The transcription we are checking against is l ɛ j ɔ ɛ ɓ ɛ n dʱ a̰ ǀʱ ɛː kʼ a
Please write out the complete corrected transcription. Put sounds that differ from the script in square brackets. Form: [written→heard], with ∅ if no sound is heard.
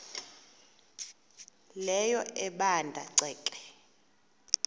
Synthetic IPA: l ɛ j ɔ ɛ ɓ [ɛ→a] n dʱ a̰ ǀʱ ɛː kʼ [a→ɛ]